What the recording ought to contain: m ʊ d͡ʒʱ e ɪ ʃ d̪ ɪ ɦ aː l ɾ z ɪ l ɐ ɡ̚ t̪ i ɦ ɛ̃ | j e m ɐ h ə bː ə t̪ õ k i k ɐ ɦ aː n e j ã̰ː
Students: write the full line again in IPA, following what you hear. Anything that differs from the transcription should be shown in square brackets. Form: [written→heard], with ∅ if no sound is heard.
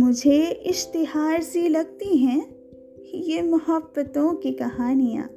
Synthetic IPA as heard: m ʊ d͡ʒʱ e ɪ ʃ [d̪→t̪] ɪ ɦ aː [l→∅] ɾ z [ɪ→i] l ɐ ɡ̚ t̪ i ɦ ɛ̃ | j e m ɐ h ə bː ə t̪ õ k i k ɐ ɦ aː n [e→i] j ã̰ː